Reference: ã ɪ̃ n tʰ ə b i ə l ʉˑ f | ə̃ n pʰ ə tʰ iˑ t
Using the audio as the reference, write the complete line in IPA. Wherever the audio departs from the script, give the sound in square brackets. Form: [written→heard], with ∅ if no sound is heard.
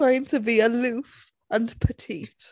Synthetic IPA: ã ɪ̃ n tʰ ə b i ə l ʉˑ f | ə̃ n pʰ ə tʰ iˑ t